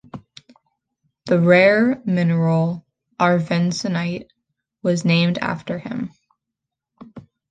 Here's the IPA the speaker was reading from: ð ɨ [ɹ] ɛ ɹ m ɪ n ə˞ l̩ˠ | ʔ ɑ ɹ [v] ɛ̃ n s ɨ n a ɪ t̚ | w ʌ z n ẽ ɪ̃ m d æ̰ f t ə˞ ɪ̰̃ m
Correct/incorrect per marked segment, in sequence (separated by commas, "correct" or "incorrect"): correct, correct